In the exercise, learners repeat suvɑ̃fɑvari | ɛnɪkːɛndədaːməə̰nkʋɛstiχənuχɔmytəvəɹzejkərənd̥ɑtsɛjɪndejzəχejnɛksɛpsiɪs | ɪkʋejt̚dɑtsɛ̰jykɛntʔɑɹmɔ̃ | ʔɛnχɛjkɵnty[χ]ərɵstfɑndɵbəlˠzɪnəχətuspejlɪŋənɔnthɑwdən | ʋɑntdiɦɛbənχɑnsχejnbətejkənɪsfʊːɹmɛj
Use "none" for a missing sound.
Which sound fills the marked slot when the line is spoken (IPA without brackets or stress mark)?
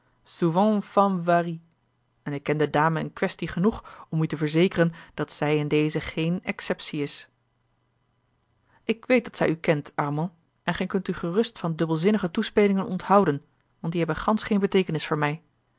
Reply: χ